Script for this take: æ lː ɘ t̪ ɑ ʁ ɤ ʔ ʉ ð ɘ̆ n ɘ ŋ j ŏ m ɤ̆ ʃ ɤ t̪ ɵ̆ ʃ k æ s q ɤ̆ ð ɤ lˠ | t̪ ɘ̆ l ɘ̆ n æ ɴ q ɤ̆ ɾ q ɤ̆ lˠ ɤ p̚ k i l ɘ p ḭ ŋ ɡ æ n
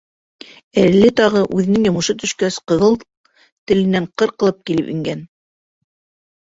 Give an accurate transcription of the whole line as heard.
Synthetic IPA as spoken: æ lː ɘ t̪ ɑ ʁ ɤ ʔ ʉ ð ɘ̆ n ɘ ŋ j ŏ m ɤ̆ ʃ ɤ t̪ ɵ̆ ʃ k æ s q ɤ̆ ð ɤ lˠ | t̪ ɘ̆ l ɘ̆ n æ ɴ q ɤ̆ ɾ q ɤ̆ lˠ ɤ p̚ k i l ɘ p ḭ ŋ ɡ æ n